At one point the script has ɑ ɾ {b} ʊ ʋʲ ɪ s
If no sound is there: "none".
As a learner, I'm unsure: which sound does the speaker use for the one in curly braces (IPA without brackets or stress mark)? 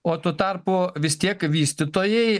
p